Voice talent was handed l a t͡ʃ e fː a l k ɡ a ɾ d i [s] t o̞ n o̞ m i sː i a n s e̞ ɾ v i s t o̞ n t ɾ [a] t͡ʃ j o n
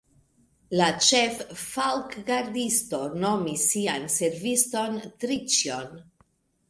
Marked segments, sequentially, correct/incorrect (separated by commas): correct, incorrect